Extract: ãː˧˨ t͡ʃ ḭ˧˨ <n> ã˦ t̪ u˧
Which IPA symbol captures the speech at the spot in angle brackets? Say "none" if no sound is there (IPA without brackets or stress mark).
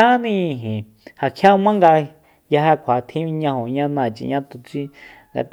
ɲ